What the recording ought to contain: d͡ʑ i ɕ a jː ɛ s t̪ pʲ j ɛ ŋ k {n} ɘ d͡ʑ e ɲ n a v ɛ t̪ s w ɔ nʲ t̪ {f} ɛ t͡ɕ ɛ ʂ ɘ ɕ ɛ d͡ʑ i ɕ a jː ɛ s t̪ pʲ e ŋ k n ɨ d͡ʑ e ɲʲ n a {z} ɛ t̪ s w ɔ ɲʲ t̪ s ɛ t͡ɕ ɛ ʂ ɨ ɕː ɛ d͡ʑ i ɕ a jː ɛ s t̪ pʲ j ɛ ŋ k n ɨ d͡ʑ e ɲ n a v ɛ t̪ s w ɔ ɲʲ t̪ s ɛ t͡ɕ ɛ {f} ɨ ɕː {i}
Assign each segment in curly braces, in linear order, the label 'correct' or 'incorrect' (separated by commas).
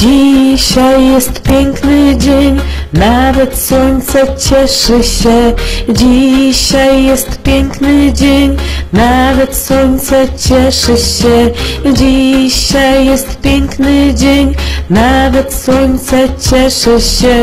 correct, incorrect, incorrect, incorrect, incorrect